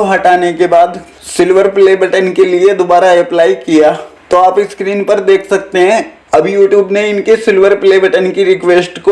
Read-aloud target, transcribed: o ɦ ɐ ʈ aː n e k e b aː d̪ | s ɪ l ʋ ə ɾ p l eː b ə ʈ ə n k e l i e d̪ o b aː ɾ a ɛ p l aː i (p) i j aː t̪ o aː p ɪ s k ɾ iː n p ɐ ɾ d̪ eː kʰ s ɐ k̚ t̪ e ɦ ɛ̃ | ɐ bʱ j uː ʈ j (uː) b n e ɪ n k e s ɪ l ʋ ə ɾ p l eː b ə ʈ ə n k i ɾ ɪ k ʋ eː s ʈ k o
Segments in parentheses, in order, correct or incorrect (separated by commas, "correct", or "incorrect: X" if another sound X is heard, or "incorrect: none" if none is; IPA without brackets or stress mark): incorrect: k, correct